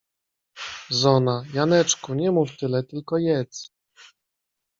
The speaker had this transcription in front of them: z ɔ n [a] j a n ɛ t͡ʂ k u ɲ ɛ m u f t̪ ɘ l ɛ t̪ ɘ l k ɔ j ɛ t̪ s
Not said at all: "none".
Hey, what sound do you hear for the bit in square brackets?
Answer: a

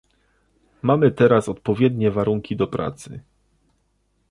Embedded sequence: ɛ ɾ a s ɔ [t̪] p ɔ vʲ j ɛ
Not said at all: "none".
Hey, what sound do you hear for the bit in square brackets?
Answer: t̪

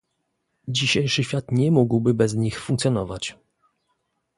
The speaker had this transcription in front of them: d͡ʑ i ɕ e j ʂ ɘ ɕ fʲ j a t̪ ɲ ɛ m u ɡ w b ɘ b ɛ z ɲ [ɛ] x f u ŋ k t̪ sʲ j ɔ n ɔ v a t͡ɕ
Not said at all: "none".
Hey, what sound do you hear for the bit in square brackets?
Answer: i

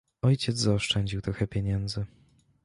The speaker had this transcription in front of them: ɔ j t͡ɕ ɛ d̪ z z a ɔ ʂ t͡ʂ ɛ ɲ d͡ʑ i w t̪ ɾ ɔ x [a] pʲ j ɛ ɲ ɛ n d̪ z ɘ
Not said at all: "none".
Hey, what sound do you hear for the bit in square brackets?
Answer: ɛ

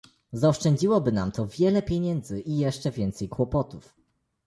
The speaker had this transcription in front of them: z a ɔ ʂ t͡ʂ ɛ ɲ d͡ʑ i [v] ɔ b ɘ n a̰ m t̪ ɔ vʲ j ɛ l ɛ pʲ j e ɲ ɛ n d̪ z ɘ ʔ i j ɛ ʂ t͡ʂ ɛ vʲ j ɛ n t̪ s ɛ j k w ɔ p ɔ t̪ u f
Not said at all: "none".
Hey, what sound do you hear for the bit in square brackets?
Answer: w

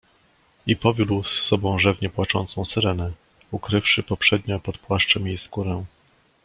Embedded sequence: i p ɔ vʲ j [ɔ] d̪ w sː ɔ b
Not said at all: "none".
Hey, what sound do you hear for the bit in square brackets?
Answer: u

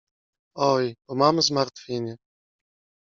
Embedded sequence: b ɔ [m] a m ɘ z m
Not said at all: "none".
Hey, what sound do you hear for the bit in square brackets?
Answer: m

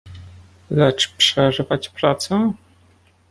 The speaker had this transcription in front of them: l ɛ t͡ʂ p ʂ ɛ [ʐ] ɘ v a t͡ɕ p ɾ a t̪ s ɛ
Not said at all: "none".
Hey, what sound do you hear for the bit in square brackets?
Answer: ʐ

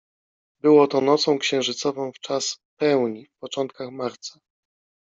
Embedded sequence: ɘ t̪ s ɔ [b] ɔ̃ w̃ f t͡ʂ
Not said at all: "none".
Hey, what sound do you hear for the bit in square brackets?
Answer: v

